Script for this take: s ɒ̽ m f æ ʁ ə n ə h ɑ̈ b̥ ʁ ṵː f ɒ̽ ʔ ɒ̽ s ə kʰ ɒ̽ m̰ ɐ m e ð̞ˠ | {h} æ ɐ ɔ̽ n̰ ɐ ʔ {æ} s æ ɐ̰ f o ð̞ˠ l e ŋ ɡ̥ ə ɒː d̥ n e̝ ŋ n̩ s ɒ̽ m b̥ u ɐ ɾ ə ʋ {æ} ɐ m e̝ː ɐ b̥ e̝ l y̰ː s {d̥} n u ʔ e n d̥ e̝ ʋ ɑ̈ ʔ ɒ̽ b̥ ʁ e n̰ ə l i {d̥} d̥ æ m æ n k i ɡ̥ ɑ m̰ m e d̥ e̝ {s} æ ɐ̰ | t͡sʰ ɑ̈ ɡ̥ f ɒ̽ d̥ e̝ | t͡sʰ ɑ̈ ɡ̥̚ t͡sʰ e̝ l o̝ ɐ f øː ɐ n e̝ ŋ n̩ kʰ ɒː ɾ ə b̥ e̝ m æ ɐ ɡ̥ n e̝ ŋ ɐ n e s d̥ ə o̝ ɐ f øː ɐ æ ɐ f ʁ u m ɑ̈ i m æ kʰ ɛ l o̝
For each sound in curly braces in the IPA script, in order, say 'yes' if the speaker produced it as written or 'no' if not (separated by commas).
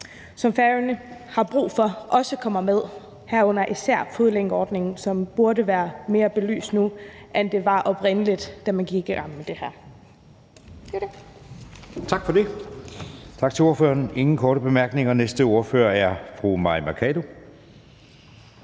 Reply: yes, no, no, yes, yes, no